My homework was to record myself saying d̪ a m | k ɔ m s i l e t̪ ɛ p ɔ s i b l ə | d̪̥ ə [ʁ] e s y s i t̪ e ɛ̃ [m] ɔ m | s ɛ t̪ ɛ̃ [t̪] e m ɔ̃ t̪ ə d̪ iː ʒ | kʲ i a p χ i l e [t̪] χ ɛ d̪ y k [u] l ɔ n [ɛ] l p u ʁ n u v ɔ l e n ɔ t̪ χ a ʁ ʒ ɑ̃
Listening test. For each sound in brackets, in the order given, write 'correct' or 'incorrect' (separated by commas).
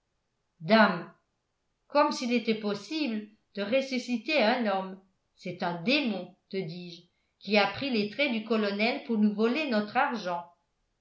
correct, incorrect, incorrect, correct, incorrect, correct